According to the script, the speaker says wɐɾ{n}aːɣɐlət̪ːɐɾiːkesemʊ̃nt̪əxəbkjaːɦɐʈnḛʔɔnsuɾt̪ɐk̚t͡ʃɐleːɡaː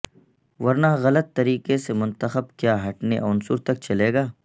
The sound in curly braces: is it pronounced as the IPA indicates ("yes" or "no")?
yes